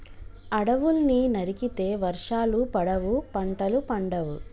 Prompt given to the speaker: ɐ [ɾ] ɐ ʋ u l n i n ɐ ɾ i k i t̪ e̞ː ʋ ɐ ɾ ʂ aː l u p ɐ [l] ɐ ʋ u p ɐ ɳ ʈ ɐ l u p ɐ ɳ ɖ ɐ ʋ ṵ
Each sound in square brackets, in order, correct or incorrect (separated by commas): incorrect, incorrect